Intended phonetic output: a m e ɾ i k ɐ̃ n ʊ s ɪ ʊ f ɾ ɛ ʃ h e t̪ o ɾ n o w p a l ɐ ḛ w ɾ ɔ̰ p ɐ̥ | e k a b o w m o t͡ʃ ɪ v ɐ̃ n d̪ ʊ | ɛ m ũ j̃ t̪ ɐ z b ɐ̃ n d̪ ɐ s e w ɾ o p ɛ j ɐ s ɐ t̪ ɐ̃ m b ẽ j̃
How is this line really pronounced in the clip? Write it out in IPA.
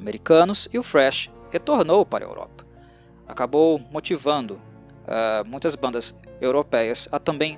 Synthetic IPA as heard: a m e ɾ i k ɐ̃ n ʊ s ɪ ʊ f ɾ ɛ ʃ h e t̪ o ɾ n o w p a ɾ ɐ ḛ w ɾ ɔ̰ p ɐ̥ | a k a b o w m o t͡ʃ i v ɐ̃ n d̪ ʊ | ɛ m ũ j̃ t̪ ɐ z b ɐ̃ n d̪ ɐ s e w ɾ o p ɛ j ɐ s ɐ t̪ ɐ̃ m b ẽ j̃